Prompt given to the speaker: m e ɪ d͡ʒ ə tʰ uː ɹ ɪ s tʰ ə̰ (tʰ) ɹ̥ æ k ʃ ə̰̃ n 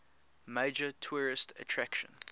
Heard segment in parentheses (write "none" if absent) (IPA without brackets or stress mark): tʰ